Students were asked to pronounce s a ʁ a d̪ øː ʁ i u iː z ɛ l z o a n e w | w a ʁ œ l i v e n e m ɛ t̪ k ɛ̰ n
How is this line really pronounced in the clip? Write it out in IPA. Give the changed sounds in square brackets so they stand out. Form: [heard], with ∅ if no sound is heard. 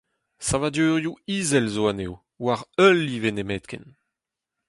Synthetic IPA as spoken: s a [v] a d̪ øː ʁ [j] u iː z ɛ l z o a n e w | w a ʁ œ l i v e n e m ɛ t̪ k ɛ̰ n